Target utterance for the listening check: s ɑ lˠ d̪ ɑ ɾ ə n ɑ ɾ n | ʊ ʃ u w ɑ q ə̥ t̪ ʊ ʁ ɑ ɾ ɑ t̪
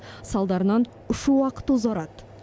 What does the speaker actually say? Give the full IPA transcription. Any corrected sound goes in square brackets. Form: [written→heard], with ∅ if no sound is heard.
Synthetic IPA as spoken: s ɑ lˠ d̪ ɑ ɾ ə n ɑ [ɾ→∅] n | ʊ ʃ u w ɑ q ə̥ t̪ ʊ [ʁ→z] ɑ ɾ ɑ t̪